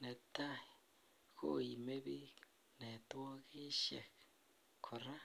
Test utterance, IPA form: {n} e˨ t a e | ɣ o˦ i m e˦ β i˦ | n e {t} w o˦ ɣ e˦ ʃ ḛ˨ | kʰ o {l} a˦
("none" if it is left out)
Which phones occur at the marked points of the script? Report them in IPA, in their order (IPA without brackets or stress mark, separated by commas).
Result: n, t, ɾ